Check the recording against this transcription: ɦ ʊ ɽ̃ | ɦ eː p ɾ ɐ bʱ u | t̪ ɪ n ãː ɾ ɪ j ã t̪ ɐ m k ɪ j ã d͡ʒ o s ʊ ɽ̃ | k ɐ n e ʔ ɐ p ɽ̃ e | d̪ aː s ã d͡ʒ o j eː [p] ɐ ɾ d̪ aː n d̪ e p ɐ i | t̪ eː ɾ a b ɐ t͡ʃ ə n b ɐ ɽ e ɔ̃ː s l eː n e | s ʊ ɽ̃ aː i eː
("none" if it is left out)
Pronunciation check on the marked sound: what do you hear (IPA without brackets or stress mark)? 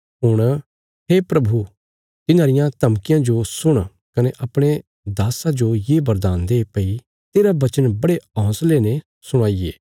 b